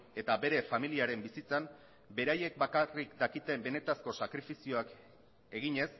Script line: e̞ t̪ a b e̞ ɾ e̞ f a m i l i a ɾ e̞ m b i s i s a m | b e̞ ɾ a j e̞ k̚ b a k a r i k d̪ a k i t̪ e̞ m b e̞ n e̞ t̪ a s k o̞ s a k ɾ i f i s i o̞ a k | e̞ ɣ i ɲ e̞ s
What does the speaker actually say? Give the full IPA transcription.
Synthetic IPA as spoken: e̞ t̪ a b e̞ ɾ e̞ f a m i l i a ɾ e̞ m b i s i t͡s a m | b e̞ ɾ a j e̞ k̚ b a k a r i k d̪ a k i t̪ e̞ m b e̞ n e̞ t̪ a s k o̞ s a k ɾ i f i s i o̞ a k | e̞ ɣ i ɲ e̞ s